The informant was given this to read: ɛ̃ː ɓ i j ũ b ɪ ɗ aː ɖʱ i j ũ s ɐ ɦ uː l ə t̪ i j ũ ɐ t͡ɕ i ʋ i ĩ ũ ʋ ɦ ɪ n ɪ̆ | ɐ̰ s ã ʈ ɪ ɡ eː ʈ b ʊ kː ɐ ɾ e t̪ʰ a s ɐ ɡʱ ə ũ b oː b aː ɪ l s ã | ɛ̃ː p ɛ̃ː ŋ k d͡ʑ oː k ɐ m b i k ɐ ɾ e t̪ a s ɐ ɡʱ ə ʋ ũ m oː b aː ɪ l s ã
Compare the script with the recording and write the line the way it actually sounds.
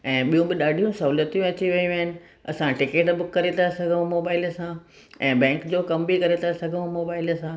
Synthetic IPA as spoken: ɛ̃ː ɓ i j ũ b ɪ ɗ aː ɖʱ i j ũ s ɐ ɦ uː l ə t̪ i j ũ ɐ t͡ɕ i ʋ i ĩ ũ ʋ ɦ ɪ n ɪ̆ | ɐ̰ s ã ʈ ɪ k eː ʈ b ʊ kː ɐ ɾ e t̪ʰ a s ɐ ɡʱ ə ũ m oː b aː ɪ l s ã | ɛ̃ː b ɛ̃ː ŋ k d͡ʑ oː k ɐ m b i k ɐ ɾ e t̪ a s ɐ ɡʱ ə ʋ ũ m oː b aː ɪ l s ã